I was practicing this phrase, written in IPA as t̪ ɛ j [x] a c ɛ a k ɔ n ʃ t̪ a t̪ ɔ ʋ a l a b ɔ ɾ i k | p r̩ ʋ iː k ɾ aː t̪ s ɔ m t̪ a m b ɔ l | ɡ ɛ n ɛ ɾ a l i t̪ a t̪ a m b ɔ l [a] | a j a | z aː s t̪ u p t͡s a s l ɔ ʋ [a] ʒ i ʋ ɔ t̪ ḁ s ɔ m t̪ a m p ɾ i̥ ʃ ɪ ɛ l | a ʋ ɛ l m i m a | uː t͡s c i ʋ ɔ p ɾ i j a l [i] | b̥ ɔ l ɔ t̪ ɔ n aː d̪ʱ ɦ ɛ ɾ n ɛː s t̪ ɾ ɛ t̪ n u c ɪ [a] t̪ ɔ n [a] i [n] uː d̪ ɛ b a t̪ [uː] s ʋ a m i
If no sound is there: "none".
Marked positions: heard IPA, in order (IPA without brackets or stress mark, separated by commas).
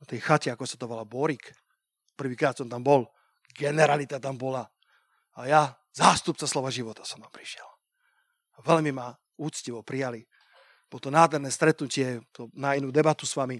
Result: x, a, a, i, ɛ, a, n, u